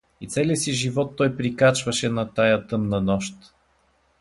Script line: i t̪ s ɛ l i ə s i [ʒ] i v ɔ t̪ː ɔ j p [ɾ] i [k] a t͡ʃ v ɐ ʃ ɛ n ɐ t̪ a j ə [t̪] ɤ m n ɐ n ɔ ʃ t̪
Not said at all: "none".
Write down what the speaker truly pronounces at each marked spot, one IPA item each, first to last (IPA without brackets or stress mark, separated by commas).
ʒ, ɾ, k, t̪